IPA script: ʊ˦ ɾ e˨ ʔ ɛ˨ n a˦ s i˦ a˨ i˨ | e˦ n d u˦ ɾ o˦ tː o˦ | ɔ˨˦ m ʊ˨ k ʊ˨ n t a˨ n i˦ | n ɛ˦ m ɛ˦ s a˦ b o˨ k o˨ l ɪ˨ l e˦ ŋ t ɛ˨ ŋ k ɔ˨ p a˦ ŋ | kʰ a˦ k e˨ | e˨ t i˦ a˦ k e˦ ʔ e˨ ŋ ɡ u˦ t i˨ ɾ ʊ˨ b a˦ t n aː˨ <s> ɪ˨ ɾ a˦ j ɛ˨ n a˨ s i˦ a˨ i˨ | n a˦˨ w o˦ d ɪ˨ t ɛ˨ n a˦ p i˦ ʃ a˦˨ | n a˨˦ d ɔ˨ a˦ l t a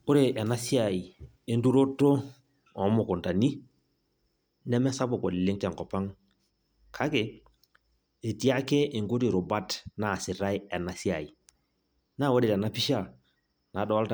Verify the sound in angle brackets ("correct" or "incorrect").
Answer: correct